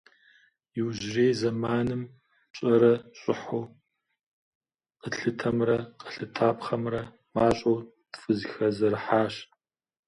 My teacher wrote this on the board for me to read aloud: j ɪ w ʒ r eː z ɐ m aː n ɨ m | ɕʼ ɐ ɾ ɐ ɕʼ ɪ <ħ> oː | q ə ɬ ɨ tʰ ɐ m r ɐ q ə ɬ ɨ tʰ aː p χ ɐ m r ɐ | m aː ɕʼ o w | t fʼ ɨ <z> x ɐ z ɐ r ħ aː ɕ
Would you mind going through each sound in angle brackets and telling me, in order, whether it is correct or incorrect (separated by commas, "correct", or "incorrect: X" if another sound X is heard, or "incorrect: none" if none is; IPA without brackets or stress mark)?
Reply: correct, correct